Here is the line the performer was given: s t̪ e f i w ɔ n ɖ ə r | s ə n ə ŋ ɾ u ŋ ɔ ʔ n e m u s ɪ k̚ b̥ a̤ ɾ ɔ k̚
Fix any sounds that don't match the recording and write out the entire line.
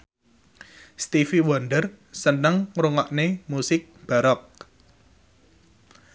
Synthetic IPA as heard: s t̪ i f i w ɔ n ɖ ə r | s ə n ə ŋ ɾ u ŋ ɔ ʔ n e m u s ɪ k̚ b̥ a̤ ɾ ɔ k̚